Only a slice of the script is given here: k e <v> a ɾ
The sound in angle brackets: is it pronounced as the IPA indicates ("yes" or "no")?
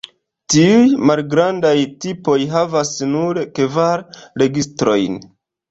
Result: yes